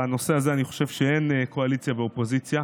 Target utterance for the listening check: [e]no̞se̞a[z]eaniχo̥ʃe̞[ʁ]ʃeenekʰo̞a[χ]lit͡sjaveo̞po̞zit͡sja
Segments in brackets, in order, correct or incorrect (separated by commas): incorrect, correct, incorrect, incorrect